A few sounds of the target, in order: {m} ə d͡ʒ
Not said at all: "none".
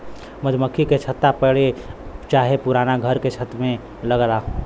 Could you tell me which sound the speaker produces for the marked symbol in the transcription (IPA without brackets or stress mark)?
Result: m